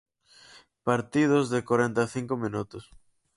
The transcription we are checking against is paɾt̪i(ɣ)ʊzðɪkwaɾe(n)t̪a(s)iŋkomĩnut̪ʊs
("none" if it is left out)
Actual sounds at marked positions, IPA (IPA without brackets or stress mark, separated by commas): ð, n, θ